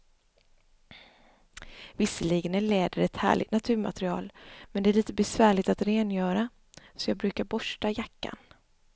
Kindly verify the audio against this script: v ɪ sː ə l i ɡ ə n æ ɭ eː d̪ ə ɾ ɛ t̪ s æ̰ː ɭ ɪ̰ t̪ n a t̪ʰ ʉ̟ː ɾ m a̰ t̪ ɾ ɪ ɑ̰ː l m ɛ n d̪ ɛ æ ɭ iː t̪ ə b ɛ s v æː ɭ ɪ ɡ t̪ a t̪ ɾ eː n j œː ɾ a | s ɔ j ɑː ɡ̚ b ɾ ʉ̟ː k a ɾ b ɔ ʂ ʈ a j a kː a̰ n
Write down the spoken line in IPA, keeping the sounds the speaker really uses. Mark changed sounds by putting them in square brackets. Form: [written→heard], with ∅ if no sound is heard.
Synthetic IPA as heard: v ɪ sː ə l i ɡ ə n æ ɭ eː d̪ ə ɾ ɛ t̪ [s→h] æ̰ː ɭ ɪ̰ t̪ n a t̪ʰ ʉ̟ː ɾ m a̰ t̪ ɾ ɪ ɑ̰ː l m ɛ n d̪ ɛ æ ɭ iː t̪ ə b ɛ s v æː ɭ ɪ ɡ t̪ a t̪ ɾ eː n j œː ɾ a | s ɔ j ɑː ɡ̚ b ɾ ʉ̟ː k a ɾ b ɔ ʂ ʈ a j a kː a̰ n